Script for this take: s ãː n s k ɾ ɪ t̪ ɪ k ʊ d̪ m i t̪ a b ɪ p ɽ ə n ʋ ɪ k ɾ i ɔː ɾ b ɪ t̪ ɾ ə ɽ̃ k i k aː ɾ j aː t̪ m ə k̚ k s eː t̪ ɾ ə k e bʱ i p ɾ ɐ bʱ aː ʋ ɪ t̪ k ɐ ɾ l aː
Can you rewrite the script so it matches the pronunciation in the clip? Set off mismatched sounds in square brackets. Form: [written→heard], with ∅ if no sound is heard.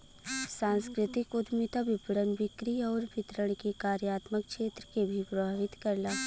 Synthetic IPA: s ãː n s k ɾ ɪ t̪ ɪ k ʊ d̪ m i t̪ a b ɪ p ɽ ə n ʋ ɪ k ɾ i ɔː ɾ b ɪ t̪ ɾ ə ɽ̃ k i k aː ɾ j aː t̪ m ə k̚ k [s→ʃ] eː t̪ ɾ ə k e bʱ i p ɾ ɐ bʱ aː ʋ ɪ t̪ k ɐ ɾ l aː